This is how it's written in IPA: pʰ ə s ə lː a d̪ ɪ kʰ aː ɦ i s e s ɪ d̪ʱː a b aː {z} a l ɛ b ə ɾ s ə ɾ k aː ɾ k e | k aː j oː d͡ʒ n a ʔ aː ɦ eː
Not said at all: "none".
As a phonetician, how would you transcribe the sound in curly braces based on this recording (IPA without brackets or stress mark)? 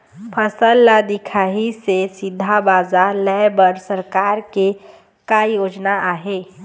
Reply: z